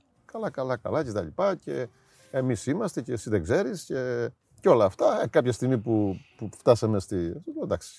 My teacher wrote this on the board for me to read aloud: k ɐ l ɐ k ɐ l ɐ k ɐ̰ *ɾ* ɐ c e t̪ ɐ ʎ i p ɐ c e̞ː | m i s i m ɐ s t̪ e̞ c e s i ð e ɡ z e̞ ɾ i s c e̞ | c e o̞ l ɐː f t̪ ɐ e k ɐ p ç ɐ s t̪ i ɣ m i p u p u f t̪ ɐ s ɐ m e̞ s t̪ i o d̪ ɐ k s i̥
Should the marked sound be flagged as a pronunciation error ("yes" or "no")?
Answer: yes